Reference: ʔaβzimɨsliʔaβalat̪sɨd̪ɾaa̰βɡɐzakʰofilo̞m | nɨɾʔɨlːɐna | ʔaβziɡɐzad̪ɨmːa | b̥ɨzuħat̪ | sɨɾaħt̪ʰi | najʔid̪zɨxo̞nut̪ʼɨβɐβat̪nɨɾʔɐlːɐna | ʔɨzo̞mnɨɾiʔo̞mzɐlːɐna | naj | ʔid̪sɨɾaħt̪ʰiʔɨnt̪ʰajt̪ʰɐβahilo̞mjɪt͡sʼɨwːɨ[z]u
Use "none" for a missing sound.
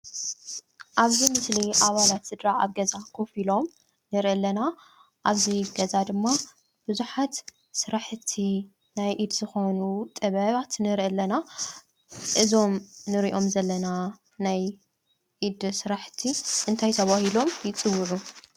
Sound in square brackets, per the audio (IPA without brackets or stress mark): ʕ